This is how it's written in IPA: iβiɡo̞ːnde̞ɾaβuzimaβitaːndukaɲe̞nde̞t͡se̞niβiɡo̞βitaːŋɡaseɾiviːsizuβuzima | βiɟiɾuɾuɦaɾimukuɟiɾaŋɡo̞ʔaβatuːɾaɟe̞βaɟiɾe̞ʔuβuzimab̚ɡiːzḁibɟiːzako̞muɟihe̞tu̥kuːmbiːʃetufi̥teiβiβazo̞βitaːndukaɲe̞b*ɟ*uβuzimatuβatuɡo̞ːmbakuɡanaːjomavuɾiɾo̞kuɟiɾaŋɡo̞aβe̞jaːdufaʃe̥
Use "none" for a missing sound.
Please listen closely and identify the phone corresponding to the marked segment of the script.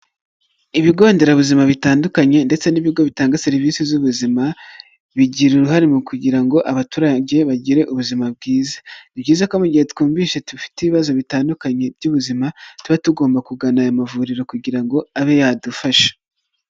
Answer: ɟ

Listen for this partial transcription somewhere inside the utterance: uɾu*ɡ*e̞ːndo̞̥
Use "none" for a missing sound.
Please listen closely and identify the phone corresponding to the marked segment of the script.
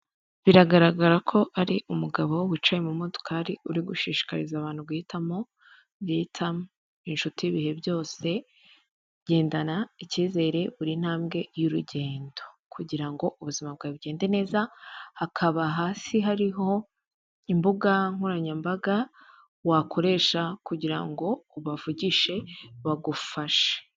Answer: ɟ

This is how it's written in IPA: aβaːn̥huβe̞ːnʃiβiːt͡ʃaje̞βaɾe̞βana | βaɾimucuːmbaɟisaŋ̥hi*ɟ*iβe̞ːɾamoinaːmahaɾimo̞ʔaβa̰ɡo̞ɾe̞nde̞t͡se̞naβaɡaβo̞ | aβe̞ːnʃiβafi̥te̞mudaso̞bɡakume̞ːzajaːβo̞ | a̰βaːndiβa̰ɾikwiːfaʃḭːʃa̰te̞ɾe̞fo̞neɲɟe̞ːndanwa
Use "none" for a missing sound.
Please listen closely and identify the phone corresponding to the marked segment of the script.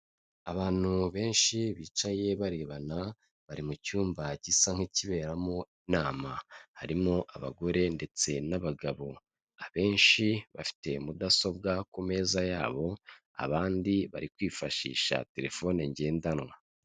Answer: c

